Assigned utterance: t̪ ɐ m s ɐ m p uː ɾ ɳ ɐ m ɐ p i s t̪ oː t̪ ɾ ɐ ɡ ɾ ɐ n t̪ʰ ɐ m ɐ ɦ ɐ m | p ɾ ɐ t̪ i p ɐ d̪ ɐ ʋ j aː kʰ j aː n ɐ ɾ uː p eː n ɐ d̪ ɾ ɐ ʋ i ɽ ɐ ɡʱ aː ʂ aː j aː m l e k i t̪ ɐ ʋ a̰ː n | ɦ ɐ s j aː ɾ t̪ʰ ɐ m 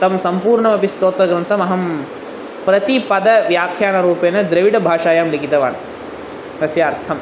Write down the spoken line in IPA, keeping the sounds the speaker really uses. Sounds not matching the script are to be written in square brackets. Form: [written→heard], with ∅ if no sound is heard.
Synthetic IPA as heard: t̪ ɐ m s ɐ m p uː ɾ ɳ ɐ m ɐ p i s t̪ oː t̪ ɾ ɐ ɡ ɾ ɐ n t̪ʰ ɐ m ɐ ɦ ɐ m | p ɾ ɐ t̪ i p ɐ d̪ ɐ ʋ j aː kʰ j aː n ɐ ɾ uː p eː n ɐ d̪ ɾ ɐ ʋ i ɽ ɐ [ɡʱ→bʱ] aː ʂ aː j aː m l [e→i] k i t̪ ɐ ʋ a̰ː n | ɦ ɐ s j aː ɾ t̪ʰ ɐ m